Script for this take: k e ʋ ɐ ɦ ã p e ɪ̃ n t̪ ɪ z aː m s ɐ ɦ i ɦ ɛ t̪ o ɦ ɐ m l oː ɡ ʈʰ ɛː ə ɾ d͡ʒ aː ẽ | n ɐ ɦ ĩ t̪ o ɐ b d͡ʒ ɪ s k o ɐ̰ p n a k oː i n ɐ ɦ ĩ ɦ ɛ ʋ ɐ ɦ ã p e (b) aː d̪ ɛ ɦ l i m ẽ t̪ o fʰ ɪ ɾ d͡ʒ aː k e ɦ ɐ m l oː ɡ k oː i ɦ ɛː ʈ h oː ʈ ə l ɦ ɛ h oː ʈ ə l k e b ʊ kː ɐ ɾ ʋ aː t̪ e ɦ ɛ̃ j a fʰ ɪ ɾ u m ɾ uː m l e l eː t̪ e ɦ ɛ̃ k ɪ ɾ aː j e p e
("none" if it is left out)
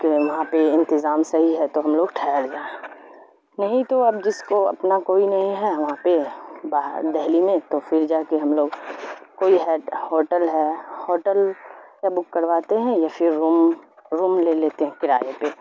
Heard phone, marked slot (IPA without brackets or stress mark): b